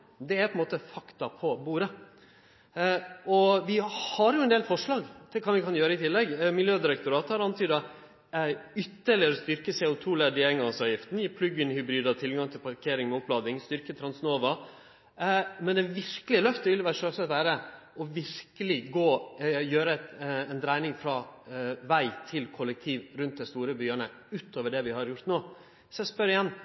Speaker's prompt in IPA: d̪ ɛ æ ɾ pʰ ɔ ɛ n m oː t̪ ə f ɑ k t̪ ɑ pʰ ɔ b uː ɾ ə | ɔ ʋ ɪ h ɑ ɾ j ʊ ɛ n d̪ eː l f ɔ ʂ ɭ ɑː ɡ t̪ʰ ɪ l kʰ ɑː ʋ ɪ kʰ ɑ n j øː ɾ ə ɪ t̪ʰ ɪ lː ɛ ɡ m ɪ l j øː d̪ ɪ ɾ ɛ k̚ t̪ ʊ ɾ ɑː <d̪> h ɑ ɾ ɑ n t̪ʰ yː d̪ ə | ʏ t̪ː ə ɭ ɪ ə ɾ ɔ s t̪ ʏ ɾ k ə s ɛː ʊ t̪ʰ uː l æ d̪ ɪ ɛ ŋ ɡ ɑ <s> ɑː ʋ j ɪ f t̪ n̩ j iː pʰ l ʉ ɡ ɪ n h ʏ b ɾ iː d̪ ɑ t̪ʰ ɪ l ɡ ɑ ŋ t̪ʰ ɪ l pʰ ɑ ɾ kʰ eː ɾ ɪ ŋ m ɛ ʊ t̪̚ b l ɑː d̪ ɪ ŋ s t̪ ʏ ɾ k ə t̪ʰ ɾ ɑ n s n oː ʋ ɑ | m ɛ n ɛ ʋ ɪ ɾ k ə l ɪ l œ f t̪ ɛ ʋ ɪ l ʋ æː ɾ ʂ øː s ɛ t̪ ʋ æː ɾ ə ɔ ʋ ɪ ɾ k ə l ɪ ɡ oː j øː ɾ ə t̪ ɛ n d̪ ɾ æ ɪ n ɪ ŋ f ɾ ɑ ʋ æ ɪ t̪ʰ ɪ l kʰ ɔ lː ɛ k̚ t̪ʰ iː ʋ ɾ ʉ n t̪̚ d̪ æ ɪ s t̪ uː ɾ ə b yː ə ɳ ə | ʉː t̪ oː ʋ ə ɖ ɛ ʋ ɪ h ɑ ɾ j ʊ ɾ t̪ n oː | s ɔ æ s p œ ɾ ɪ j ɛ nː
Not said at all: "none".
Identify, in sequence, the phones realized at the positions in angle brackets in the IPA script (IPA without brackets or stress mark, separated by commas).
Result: t̪, s